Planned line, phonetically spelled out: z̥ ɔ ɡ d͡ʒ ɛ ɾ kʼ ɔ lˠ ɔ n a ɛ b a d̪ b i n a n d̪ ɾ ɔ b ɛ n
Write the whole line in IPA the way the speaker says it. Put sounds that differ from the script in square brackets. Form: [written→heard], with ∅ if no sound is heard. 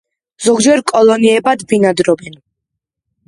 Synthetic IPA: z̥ ɔ ɡ d͡ʒ ɛ ɾ kʼ ɔ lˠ ɔ n [a→i] ɛ b a d̪ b i n a [n→∅] d̪ ɾ ɔ b ɛ n